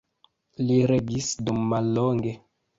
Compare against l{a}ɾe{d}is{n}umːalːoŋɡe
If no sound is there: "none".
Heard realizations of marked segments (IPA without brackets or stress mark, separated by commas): i, ɡ, d